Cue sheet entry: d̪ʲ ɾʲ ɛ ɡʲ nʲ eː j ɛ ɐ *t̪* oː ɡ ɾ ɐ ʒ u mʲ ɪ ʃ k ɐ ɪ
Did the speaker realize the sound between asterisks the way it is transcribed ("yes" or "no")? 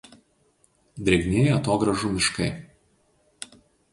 yes